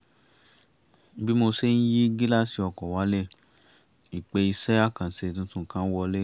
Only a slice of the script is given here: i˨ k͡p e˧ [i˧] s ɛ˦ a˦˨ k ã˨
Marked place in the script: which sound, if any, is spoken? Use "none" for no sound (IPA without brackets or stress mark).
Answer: i˧